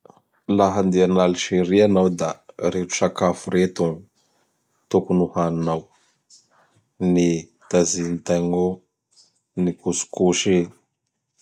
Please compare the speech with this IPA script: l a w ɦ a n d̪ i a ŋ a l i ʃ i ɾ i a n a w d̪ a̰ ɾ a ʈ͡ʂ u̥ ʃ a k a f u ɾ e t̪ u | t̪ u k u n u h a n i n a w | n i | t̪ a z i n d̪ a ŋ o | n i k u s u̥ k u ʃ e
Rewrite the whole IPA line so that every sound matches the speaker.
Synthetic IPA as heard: l a ɦ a n d̪ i a n a l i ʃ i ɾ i a n a w d̪ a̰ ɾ e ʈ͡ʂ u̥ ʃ a k a f u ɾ e t̪ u | t̪ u k u n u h a n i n a w | n i | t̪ a z i n t̪ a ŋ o | n i k u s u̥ k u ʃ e